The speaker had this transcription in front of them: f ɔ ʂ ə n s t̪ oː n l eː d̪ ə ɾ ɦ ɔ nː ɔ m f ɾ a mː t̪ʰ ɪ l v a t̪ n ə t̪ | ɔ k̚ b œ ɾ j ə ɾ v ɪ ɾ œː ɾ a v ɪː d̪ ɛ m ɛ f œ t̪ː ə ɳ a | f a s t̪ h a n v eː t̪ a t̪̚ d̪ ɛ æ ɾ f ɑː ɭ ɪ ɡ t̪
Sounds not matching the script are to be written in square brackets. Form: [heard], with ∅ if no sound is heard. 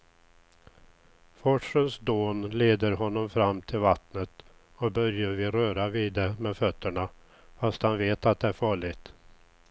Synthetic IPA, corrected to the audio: f ɔ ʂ ə n s [d̪] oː n l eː d̪ ə ɾ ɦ ɔ nː ɔ m f ɾ a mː t̪ʰ ɪ l v a t̪ n ə t̪ | ɔ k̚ b œ ɾ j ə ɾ v ɪ ɾ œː ɾ a v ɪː d̪ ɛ m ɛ f œ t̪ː ə ɳ a | f a s t̪ h a n v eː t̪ a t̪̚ d̪ ɛ æ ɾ f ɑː ɭ ɪ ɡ t̪